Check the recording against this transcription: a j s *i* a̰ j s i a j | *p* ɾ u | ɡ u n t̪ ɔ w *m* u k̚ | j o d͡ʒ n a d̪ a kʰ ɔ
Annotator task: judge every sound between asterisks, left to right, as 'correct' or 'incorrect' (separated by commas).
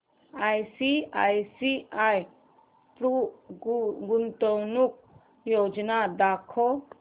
correct, correct, incorrect